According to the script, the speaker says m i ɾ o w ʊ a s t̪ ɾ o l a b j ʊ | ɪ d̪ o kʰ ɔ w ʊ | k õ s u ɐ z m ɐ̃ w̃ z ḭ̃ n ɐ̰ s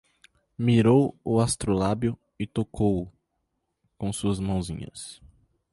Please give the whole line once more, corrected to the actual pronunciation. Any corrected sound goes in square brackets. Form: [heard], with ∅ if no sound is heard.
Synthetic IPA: m i ɾ o w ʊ a s t̪ ɾ o l a b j ʊ | ɪ [t̪] o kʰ [o] w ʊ | k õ s u ɐ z m ɐ̃ w̃ z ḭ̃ [ɲ] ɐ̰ s